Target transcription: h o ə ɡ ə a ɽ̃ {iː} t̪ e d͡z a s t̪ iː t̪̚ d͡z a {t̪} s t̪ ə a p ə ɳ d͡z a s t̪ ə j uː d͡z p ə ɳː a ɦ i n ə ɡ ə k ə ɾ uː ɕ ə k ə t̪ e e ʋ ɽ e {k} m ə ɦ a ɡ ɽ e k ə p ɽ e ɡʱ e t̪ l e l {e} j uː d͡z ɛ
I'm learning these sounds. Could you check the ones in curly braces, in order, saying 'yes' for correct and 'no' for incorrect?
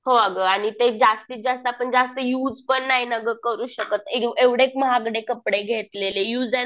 no, no, yes, yes

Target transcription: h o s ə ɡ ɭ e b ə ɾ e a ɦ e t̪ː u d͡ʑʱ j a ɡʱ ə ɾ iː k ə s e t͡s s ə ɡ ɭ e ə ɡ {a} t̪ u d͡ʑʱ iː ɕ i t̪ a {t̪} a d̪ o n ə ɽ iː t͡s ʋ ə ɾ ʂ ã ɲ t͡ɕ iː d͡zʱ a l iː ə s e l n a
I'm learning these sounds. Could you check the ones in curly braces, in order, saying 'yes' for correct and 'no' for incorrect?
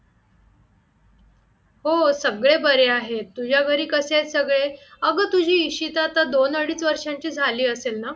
no, yes

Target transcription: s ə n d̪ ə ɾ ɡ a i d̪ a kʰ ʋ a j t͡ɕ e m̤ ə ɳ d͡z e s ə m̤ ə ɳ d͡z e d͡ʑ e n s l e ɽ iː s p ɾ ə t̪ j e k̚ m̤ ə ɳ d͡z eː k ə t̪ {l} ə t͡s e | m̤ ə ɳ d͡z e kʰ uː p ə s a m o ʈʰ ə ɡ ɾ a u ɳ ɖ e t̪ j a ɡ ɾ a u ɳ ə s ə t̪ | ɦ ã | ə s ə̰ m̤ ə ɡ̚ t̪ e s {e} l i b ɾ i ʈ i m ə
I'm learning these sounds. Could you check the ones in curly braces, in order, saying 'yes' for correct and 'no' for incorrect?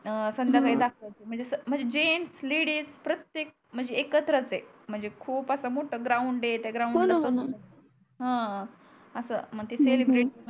no, yes

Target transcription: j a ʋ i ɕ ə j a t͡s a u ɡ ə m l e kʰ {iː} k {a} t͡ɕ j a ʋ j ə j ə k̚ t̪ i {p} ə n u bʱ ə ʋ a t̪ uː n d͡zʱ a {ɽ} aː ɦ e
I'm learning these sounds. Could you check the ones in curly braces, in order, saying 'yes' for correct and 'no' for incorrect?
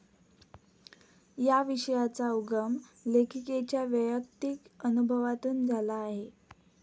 no, no, no, no

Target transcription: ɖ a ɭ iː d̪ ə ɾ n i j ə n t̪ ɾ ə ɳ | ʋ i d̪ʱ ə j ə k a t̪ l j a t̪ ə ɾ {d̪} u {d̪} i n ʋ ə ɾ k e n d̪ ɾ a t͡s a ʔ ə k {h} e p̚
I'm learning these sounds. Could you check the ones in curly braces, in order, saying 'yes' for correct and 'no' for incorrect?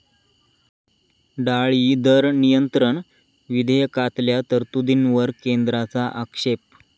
no, yes, no

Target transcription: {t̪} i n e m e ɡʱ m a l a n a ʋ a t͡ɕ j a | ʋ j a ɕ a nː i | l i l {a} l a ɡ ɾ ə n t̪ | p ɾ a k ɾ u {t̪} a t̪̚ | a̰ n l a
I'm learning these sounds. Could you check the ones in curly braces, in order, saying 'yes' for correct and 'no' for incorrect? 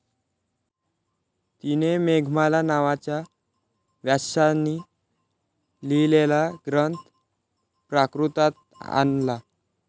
yes, no, yes

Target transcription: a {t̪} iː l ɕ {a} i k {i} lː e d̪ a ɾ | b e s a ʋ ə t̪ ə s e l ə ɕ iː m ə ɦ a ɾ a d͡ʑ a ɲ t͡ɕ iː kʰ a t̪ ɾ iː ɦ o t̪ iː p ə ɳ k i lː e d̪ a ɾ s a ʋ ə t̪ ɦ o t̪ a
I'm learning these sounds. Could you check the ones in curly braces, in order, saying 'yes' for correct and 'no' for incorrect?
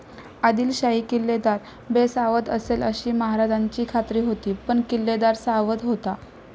no, yes, yes

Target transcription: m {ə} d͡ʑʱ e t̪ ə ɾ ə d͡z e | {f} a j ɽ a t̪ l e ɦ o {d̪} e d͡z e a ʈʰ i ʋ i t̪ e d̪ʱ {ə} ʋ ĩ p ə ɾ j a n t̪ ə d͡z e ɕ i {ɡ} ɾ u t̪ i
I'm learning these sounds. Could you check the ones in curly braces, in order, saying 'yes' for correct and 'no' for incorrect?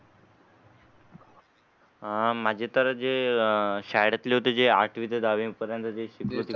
no, no, no, no, no

